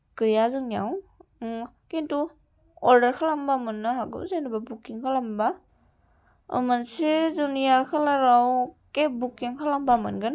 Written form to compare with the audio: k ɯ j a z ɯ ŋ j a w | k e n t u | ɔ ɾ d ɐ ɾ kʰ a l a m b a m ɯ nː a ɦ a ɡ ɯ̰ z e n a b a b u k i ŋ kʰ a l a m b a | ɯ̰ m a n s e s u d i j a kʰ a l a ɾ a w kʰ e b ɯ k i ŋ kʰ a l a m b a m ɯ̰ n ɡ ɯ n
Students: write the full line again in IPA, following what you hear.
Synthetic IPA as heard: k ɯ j a z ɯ ŋ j a w | k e n t u | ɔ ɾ d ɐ ɾ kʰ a l a m b a m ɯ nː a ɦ a ɡ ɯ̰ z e n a b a b u k i ŋ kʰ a l a m b a | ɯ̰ m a n s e z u n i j a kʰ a l a ɾ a w k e b u k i ŋ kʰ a l a m b a m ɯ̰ n ɡ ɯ n